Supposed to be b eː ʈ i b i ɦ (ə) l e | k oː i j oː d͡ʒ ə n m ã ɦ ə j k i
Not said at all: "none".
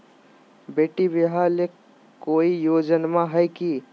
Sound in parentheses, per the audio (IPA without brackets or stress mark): a